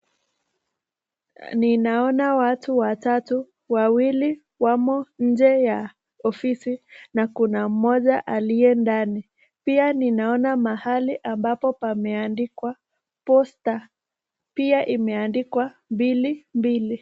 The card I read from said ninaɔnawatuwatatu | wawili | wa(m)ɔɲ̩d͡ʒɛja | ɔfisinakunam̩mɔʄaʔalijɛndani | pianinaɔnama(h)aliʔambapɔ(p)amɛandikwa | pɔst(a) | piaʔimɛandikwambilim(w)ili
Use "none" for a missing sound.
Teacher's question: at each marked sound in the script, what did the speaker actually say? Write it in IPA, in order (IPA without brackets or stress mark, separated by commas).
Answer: m, h, p, a, b